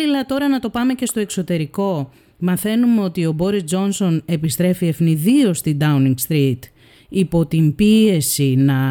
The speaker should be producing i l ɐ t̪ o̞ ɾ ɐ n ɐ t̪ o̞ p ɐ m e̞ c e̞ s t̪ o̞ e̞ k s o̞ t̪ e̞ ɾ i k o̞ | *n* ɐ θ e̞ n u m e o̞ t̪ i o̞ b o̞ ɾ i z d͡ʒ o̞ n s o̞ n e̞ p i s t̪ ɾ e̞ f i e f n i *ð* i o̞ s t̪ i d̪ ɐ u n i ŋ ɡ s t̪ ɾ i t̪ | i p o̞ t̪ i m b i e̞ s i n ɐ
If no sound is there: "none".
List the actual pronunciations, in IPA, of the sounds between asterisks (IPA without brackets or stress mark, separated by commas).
m, ð